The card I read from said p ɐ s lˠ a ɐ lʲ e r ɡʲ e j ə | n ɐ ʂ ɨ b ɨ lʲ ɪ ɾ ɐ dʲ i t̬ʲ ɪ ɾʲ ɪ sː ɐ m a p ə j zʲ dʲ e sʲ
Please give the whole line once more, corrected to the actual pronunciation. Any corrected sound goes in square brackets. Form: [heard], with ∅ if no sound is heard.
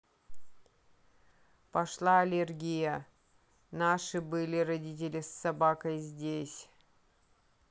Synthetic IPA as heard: p ɐ [ʂ] lˠ a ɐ lʲ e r ɡʲ [i] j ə | n [a] ʂ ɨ b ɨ lʲ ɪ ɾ ɐ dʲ i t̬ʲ ɪ [lʲ] ɪ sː ɐ [b] a [k] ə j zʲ dʲ e sʲ